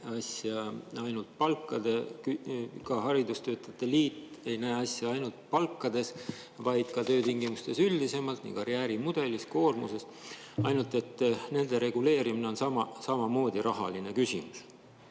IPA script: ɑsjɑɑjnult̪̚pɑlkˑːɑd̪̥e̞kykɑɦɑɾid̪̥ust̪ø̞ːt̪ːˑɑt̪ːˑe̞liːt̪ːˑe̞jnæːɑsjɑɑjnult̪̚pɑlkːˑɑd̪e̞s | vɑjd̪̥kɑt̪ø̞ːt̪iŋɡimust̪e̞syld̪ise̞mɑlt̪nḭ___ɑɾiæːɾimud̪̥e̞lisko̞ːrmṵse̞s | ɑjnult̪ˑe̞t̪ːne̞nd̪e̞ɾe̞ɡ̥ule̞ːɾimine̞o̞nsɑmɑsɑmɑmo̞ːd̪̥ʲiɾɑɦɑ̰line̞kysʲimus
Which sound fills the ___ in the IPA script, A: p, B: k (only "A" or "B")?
B